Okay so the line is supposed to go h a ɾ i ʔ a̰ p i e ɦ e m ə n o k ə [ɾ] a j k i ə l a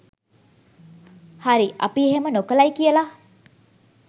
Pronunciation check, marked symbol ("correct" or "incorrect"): incorrect